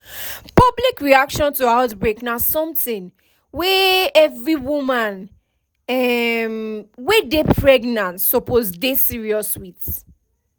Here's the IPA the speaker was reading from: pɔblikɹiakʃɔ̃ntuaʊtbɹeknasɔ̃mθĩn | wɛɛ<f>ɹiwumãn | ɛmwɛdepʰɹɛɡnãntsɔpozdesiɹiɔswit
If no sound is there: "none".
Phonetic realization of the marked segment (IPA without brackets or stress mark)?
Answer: v